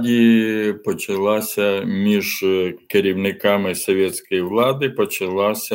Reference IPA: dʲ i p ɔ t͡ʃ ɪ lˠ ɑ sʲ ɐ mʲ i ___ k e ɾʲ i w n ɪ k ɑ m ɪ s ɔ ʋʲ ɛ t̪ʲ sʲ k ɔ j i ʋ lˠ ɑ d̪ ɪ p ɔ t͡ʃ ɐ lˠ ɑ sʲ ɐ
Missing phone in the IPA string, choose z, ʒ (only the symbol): ʒ